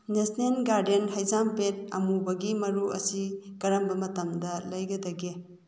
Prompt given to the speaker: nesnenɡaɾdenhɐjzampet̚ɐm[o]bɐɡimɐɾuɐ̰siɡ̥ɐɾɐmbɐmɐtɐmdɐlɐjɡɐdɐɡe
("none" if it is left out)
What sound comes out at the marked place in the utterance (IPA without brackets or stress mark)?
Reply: u